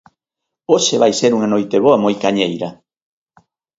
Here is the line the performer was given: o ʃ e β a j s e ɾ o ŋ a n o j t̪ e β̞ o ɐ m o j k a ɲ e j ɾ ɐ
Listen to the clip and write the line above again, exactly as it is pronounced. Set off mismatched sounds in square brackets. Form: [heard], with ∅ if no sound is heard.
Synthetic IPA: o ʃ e β a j s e ɾ [u] ŋ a n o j t̪ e β̞ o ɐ m o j k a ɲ e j ɾ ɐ

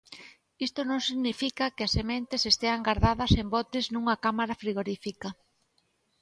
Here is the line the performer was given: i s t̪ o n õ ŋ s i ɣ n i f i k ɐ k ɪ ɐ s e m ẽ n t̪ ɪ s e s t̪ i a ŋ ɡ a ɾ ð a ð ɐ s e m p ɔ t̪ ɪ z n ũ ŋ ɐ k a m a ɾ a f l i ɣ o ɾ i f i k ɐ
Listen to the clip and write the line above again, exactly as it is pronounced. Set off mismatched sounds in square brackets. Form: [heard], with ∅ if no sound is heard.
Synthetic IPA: i s t̪ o n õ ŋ s i ɣ n i f i k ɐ k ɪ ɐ s e m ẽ n t̪ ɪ s e s t̪ [e] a ŋ ɡ a ɾ ð a ð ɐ s e m [b] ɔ t̪ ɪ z n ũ ŋ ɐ k a m a ɾ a f [ɾ] i ɣ o ɾ i f i k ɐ

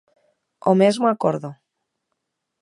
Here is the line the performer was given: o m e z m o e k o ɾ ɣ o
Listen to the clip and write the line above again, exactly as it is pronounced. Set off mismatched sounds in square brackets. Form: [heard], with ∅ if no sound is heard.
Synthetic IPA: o m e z m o [a] k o ɾ [ð] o

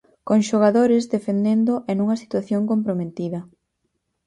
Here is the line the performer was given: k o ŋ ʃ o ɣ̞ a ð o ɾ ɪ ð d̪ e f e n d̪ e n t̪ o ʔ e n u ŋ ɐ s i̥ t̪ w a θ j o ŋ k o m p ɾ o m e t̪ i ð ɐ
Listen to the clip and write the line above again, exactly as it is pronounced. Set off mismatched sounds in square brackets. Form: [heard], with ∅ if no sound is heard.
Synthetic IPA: k o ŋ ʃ o ɣ̞ a ð o ɾ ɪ [z] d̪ e f e n d̪ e n [d̪] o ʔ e n u ŋ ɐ s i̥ t̪ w a θ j o ŋ k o m p ɾ o m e t̪ i ð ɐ

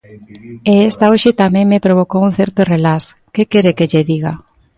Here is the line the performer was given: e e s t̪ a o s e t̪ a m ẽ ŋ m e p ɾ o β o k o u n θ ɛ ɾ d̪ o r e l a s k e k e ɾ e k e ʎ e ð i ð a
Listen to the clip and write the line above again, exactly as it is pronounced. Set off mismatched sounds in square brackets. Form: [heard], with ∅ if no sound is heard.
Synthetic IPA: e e s t̪ a o [ʃ] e t̪ a m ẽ ŋ m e p ɾ o β o k o u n θ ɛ ɾ [t̪] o r e l a s k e k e ɾ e k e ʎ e ð i [ɣ] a

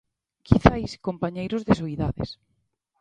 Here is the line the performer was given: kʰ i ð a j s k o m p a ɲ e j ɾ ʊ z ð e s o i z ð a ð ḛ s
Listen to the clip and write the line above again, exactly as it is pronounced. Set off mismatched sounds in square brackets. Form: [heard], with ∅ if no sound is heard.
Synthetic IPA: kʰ i [θ] a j s k o m p a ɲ e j ɾ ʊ z ð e s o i [∅] ð a ð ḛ s

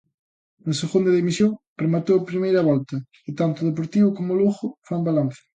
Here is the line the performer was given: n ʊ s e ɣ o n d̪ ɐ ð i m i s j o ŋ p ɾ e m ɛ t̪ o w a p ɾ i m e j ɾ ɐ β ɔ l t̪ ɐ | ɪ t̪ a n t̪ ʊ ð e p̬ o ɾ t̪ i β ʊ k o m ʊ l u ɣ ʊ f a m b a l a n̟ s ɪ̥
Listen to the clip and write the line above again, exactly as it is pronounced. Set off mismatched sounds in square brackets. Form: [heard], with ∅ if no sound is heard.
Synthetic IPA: n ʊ s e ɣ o n d̪ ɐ ð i m i s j o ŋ p ɾ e m [a] t̪ o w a p ɾ i m e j ɾ ɐ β ɔ l t̪ ɐ | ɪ t̪ a n t̪ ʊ ð e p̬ o ɾ t̪ i β ʊ k o m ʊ l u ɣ ʊ f a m b a l a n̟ [θ] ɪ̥

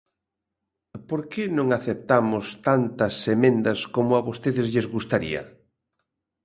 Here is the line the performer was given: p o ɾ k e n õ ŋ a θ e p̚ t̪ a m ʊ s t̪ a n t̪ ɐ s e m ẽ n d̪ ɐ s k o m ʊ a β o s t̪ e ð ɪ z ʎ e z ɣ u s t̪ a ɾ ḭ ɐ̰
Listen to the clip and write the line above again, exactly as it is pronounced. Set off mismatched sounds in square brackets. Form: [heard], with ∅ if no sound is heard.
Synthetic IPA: p o ɾ k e n õ ŋ a θ e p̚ t̪ a m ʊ s t̪ a n t̪ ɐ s e m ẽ n d̪ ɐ s k o m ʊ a β o s t̪ e ð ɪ z ʎ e z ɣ u s t̪ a ɾ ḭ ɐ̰

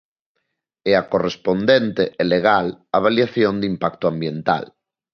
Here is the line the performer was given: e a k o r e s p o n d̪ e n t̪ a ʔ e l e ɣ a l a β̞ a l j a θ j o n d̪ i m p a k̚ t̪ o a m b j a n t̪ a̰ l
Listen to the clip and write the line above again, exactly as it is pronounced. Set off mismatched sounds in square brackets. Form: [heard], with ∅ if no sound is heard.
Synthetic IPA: e a k o r e s p o n d̪ e n t̪ [e] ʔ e l e ɣ a l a β̞ a l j a θ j o n d̪ i m p a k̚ t̪ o a m b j [e] n t̪ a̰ l

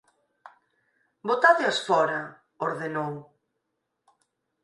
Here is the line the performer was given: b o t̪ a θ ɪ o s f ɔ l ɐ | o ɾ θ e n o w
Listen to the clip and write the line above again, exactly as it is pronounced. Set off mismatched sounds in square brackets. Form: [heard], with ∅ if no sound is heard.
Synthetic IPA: b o t̪ a [ð] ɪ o s f ɔ [ɾ] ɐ | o ɾ [ð] e n o w

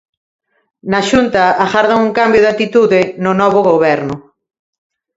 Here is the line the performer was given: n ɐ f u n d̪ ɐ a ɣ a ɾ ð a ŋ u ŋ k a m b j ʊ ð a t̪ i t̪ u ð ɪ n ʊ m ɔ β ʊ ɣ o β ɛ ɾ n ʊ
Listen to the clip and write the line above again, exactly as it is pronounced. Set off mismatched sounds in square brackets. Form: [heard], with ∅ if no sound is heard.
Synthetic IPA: n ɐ [ʃ] u n [t̪] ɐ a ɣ a ɾ ð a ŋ u ŋ k a m b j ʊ ð a t̪ i t̪ u ð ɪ n ʊ [n] ɔ β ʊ ɣ o β ɛ ɾ n ʊ

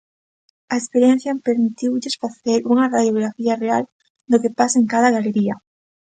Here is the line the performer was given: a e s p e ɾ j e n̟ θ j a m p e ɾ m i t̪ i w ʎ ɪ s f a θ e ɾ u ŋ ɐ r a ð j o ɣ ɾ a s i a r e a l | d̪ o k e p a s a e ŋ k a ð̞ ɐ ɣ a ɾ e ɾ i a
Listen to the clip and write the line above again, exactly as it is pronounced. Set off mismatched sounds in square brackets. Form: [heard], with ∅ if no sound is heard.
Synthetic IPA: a e s p e ɾ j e n̟ θ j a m p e ɾ m i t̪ i w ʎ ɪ s f a θ e ɾ u ŋ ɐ r a ð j o ɣ ɾ a [f] i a r e a l | d̪ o k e p a s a e ŋ k a ð̞ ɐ ɣ a [l] e ɾ i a

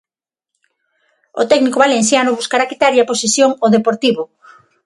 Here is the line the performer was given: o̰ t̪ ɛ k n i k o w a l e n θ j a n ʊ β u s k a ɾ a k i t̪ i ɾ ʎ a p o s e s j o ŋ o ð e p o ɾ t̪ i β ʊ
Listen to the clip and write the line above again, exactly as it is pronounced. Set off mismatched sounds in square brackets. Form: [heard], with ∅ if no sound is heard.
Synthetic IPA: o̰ t̪ ɛ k n i k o [β] a l e n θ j a n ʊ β u s k a ɾ a k i t̪ [a] ɾ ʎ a p o s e s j o ŋ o ð e p o ɾ t̪ i β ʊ

